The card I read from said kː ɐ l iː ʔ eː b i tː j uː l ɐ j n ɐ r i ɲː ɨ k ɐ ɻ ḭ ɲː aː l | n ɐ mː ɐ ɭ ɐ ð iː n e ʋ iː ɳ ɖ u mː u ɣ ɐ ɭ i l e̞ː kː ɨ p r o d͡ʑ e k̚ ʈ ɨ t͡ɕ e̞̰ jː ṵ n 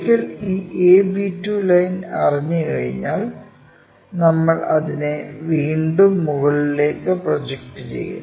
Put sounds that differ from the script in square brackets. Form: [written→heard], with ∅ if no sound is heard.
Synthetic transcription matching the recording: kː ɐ l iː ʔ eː b i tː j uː l ɐ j n ɐ r i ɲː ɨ k ɐ ɻ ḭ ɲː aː l | n ɐ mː ɐ ɭ ɐ ð [iː→i] n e ʋ iː ɳ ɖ u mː u ɣ ɐ ɭ i l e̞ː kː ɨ p r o d͡ʑ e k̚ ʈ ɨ t͡ɕ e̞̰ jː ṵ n